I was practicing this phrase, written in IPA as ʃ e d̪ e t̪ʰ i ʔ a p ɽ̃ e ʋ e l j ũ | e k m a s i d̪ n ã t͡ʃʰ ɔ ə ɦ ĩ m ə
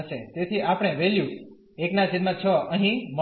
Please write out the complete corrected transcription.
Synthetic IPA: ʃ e t̪ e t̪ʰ i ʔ a p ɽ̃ e ʋ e l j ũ | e k n a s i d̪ m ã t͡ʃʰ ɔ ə ɦ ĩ m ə

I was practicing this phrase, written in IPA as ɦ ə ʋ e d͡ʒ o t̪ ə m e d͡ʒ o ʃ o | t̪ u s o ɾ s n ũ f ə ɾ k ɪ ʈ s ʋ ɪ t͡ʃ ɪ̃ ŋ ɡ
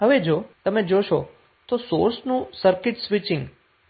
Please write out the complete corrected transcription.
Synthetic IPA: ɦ ə ʋ e d͡ʒ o t̪ ə m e d͡ʒ o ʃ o | t̪ o s o ɾ s n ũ s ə ɾ k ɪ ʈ s ʋ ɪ t͡ʃ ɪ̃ ŋ ɡ

